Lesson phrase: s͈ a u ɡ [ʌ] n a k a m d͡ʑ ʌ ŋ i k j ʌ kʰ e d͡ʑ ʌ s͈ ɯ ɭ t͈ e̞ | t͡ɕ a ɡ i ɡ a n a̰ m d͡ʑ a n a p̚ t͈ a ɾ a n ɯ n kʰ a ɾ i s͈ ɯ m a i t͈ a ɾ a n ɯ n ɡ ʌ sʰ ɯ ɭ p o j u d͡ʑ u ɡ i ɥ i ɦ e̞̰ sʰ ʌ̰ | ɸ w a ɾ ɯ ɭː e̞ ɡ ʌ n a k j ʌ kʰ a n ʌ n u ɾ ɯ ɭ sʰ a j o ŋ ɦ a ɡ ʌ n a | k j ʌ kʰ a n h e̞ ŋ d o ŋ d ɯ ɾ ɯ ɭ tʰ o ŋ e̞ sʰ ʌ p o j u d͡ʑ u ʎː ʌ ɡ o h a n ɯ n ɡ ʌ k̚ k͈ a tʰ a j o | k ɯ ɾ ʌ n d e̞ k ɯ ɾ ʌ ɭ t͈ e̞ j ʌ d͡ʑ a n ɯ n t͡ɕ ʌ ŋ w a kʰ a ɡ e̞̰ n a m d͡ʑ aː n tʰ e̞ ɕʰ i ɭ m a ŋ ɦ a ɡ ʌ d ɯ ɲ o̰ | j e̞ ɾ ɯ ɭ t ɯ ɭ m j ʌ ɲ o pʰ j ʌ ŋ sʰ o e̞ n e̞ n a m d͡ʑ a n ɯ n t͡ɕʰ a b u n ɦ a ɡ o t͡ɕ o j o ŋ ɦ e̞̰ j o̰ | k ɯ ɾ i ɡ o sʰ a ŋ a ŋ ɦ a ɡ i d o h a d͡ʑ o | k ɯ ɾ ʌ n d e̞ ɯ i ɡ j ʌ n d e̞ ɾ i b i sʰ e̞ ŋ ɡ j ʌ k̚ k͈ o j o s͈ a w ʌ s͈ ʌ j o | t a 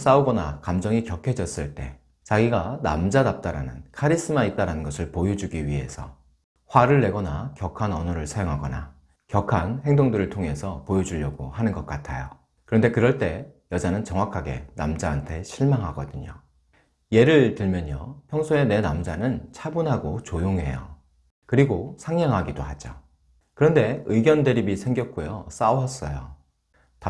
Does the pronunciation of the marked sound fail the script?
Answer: no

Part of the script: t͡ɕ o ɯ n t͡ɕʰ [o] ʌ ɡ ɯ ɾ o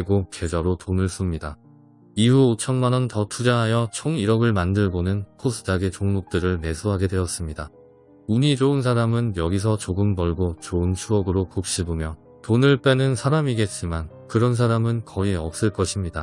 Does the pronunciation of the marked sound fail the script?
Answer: yes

